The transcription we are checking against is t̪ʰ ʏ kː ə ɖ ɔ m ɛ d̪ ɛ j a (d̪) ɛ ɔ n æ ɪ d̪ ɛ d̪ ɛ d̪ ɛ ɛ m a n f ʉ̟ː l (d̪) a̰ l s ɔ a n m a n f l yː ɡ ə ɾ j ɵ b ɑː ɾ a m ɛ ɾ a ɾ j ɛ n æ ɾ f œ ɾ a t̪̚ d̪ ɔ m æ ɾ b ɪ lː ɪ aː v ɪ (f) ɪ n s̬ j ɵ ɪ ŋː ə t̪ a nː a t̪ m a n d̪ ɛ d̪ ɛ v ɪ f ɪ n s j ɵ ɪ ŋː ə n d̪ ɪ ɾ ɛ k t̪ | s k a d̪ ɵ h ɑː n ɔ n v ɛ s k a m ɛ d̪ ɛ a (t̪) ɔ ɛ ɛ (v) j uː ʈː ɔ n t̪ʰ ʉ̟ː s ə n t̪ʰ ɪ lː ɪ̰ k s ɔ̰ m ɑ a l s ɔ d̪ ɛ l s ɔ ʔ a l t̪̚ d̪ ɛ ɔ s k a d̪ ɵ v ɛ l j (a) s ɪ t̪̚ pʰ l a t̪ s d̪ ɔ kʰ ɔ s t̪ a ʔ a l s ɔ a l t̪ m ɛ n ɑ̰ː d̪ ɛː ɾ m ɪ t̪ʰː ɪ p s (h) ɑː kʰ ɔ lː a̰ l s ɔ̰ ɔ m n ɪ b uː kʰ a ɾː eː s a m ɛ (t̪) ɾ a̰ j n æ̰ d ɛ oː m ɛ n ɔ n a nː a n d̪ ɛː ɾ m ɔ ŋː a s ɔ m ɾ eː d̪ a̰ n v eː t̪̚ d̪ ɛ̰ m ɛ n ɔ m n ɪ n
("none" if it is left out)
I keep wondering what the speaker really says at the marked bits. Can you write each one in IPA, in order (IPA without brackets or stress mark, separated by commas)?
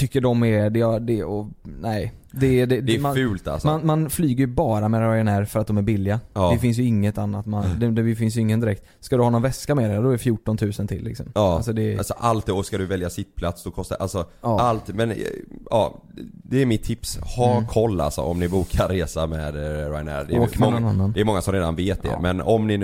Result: d̪, t̪, f, d̪, f, a, h, d̪